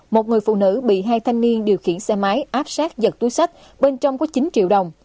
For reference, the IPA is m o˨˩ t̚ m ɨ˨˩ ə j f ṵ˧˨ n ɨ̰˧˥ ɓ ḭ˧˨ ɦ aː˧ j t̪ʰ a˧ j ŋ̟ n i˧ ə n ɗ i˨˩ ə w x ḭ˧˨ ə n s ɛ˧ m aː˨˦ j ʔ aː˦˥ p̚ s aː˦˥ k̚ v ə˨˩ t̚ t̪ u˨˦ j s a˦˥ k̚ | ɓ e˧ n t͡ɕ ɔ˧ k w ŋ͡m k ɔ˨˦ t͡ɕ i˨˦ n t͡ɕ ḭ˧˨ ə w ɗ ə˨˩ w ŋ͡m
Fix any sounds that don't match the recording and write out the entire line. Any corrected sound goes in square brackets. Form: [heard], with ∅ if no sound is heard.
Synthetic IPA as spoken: m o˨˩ t̚ [ŋ] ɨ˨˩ ə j f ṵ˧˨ n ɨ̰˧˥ ɓ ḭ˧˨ ɦ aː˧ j t̪ʰ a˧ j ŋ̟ n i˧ ə n ɗ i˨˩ ə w x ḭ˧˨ ə n s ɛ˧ m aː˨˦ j ʔ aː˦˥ p̚ s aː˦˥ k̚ [z] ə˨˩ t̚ t̪ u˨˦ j s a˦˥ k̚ | ɓ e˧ n t͡ɕ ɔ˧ [∅] w ŋ͡m k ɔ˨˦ t͡ɕ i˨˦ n t͡ɕ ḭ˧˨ ə w ɗ ə˨˩ w ŋ͡m